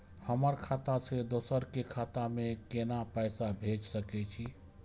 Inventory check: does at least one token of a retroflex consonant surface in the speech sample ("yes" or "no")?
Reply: no